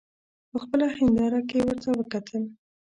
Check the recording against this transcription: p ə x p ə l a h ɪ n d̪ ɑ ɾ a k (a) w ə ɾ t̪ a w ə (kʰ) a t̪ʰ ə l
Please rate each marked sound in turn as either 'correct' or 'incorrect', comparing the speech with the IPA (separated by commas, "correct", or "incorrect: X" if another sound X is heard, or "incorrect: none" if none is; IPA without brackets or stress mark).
incorrect: e, incorrect: k